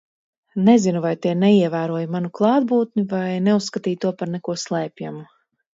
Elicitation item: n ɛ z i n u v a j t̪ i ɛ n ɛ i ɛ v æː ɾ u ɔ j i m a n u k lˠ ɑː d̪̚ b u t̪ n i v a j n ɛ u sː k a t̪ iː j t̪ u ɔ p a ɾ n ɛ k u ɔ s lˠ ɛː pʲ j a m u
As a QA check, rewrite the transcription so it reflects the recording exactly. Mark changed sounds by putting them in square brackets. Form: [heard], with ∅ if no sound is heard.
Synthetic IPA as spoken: n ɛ z i n u v a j t̪ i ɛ n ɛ i ɛ v æː ɾ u ɔ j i m a n u k lˠ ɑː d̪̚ b [uː] t̪ n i v a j n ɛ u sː k a t̪ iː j t̪ u ɔ p a ɾ n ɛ k u ɔ s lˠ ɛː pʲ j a m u